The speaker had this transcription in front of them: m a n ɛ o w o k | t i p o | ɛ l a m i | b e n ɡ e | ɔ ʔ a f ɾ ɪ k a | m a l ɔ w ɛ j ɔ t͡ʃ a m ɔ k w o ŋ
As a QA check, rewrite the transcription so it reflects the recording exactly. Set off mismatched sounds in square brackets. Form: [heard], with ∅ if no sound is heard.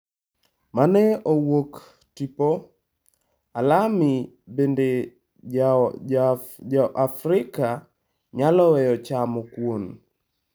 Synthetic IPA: m a n ɛ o w o k | t i p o | [a] l a m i | b e n [d] e | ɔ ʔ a f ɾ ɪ k a | [ɲ] a l ɔ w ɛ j ɔ t͡ʃ a m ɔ k w o [n]